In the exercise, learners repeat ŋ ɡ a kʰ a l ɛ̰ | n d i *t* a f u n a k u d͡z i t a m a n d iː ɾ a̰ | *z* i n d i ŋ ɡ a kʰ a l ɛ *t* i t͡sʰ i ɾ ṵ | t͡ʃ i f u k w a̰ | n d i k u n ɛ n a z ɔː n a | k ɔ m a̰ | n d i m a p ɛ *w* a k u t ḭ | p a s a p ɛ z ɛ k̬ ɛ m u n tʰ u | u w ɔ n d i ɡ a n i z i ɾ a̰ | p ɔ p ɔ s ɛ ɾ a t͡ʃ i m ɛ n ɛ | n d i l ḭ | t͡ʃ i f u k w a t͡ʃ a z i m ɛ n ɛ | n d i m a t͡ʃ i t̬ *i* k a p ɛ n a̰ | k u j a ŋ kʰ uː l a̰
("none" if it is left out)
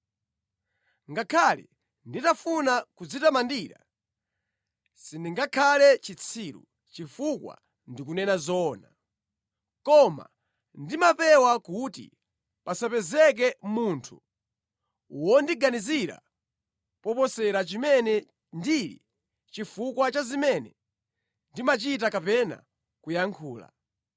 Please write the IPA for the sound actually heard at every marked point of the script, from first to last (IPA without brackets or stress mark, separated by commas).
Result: t, s, t͡ʃ, w, a